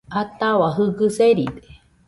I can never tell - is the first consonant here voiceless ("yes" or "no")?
yes